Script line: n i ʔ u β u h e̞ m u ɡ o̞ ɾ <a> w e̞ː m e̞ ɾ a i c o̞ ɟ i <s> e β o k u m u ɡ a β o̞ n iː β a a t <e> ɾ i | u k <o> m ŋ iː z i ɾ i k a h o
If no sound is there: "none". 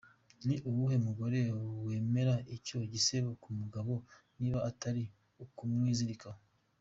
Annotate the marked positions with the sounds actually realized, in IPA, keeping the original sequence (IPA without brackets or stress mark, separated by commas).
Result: e, s, a, u